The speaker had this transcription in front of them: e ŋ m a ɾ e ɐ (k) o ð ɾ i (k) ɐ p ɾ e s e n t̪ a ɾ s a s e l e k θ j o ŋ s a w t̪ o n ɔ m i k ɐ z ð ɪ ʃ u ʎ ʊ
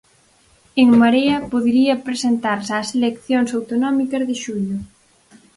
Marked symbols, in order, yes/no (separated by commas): no, no